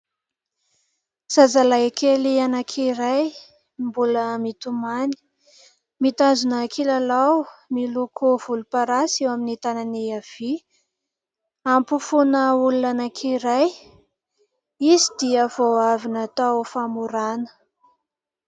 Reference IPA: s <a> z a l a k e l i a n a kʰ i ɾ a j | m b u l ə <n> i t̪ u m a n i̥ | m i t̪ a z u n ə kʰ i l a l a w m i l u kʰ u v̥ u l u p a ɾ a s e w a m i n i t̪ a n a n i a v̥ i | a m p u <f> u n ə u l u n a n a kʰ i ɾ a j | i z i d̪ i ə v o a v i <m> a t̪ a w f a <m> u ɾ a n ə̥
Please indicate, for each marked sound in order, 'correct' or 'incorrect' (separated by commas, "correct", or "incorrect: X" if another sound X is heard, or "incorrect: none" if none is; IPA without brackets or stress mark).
correct, incorrect: m, correct, incorrect: n, correct